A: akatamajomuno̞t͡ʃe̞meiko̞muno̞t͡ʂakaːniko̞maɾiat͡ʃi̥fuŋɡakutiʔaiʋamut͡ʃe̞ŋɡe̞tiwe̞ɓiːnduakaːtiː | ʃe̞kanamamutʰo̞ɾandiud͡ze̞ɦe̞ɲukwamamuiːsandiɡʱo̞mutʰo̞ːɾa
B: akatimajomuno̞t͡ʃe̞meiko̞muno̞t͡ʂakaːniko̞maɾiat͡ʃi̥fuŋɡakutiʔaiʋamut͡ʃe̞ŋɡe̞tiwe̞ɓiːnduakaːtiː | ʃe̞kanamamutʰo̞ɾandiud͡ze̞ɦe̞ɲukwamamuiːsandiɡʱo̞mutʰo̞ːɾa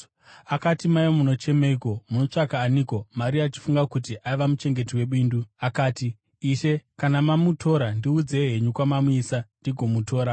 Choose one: B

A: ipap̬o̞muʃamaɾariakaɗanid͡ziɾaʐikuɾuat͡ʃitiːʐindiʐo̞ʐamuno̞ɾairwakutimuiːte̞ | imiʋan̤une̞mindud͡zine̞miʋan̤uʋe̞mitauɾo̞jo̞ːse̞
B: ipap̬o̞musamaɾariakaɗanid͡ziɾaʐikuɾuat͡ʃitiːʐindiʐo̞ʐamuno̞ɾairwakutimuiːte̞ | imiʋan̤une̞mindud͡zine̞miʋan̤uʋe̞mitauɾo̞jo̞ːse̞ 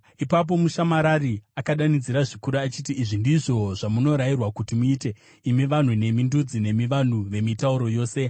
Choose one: A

